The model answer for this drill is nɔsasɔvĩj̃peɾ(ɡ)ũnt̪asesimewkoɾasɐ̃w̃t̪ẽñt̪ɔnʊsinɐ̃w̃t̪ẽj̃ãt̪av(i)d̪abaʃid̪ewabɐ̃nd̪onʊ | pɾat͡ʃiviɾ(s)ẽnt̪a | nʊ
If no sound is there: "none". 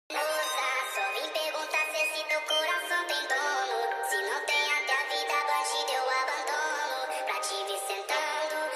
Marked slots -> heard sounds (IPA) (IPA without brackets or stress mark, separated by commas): ɡ, i, s